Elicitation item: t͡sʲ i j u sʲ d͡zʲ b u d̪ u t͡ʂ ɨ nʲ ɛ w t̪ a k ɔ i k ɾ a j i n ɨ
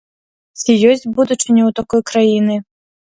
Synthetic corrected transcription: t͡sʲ i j ɔ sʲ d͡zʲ b u d̪ u t͡ʂ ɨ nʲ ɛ w t̪ a k ɔ j k ɾ a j i n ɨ